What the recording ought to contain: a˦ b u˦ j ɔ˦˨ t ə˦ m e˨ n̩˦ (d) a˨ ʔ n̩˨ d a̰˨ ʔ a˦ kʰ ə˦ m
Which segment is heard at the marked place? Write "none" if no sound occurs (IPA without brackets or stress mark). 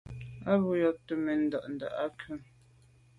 d